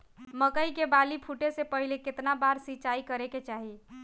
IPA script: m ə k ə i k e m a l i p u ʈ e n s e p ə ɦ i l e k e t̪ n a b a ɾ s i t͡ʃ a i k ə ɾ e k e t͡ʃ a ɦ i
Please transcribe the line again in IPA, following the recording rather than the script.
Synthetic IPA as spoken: m ə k ə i k e b a l i pʰ u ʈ e s e p ə ɦ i l e k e t̪ n a b a ɾ s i t͡ʃ a i k ə ɾ e k e t͡ʃ a ɦ i